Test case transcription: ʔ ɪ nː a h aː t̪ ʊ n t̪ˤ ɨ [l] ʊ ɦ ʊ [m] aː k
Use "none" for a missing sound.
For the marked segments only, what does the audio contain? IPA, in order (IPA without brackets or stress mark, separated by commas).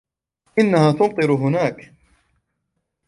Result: ɾ, n